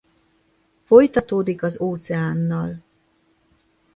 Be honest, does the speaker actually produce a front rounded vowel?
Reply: no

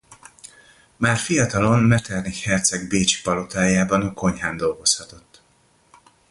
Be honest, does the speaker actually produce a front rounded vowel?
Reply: no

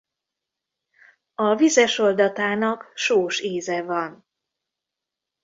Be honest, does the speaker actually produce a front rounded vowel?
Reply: no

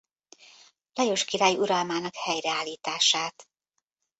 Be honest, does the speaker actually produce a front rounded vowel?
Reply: no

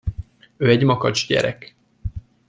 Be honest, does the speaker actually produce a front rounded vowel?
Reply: yes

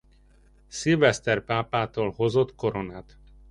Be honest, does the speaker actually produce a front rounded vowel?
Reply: no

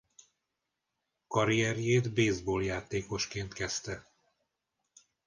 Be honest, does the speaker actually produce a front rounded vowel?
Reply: no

